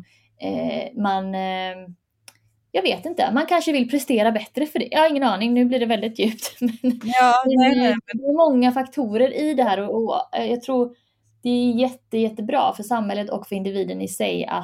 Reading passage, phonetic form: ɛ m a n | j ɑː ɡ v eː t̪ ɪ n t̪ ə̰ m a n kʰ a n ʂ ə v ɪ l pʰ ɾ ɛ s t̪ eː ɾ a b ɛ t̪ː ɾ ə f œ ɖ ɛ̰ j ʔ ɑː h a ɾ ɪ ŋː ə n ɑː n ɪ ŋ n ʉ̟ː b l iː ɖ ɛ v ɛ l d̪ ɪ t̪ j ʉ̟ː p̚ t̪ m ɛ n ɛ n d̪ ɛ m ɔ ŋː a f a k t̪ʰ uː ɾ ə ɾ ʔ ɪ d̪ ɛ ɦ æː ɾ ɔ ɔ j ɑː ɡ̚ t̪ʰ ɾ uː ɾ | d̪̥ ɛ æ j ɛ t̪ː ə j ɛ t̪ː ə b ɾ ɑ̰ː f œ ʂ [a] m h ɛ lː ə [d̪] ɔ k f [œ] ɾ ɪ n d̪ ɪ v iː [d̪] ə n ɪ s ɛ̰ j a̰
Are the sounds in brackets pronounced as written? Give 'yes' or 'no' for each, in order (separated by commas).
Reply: yes, no, yes, yes